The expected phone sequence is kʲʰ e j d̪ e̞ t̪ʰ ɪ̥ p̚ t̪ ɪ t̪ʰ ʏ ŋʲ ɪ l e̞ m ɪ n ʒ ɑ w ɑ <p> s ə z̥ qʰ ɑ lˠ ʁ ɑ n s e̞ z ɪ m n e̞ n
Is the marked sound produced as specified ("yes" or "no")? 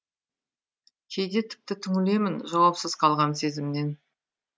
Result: yes